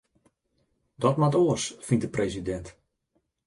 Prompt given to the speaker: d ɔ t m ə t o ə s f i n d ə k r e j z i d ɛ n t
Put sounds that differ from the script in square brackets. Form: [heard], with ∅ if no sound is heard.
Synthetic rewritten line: d ɔ t m [a] t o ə s f i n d ə [p] r e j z i d ɛ n t